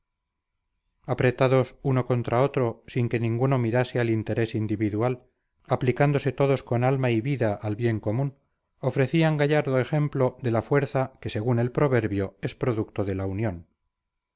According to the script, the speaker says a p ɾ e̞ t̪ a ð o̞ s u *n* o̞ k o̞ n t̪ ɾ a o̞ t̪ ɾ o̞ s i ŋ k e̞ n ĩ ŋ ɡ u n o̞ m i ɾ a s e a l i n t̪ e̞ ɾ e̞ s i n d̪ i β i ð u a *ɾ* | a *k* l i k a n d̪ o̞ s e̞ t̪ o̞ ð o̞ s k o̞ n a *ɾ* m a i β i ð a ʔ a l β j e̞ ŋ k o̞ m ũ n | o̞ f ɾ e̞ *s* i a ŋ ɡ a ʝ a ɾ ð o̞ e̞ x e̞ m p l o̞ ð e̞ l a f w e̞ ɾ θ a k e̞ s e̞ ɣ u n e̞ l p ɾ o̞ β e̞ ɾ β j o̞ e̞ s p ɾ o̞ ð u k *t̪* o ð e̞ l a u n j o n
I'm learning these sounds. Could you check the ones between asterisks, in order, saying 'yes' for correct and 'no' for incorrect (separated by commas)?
yes, no, no, no, no, yes